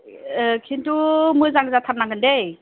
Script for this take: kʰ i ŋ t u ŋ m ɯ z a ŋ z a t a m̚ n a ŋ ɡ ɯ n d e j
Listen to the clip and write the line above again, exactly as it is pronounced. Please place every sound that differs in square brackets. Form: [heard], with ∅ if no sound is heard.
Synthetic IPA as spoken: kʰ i [n] t u [∅] m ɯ z a ŋ z a [tʰ] a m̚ n a ŋ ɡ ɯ n d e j